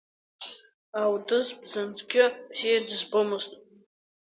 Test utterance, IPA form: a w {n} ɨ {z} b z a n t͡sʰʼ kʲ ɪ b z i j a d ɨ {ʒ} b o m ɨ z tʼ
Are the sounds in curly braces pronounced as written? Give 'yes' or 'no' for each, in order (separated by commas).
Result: no, yes, no